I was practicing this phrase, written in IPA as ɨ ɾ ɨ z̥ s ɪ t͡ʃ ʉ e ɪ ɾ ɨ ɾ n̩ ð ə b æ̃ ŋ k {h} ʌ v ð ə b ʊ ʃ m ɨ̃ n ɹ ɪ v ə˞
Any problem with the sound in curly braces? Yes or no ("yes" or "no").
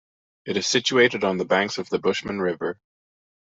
yes